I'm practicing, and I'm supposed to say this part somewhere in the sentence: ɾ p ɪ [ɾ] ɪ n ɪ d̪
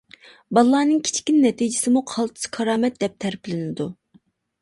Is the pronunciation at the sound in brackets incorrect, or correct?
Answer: incorrect